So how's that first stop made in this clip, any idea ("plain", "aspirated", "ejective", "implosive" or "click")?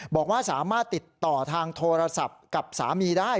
plain